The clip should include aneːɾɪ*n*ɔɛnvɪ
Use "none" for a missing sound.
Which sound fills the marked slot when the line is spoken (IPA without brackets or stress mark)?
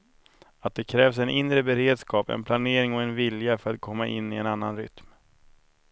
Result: ŋ